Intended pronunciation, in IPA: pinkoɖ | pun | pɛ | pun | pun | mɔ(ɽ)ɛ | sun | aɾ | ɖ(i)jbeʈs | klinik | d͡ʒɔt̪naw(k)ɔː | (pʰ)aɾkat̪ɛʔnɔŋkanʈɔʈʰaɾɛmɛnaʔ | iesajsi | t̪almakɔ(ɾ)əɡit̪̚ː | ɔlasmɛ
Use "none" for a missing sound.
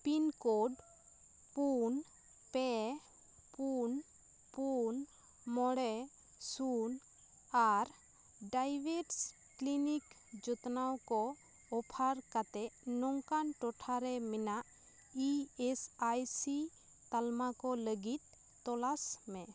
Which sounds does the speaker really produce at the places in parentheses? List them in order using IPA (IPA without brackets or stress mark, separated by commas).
ɽ, a, k, pʰ, l